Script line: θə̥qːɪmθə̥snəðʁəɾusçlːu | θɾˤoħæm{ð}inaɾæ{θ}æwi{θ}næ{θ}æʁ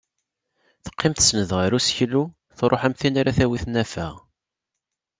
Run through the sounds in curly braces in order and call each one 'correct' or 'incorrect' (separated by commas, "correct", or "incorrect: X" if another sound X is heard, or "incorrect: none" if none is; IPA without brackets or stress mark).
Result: incorrect: θ, correct, correct, incorrect: f